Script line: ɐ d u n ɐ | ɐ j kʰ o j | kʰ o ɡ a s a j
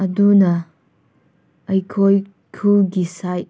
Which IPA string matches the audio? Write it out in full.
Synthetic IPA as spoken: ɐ d u n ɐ | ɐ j kʰ o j | kʰ u ɡ i s a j